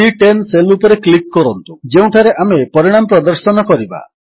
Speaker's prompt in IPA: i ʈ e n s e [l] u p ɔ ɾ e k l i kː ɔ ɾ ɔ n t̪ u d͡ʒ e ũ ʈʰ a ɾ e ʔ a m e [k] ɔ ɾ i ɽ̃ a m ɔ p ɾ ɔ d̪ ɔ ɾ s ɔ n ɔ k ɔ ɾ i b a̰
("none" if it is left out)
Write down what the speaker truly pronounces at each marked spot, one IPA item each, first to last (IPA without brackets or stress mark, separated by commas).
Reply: l, p